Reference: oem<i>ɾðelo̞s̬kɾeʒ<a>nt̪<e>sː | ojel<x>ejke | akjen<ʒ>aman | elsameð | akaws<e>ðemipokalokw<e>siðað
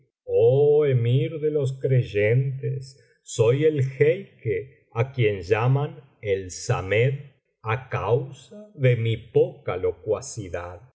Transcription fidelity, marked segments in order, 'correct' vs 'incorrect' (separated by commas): correct, incorrect, correct, correct, correct, incorrect, incorrect